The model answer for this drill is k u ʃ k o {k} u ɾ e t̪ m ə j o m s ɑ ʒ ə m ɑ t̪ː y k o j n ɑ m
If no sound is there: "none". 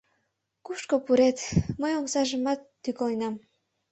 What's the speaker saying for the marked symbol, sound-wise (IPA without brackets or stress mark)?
p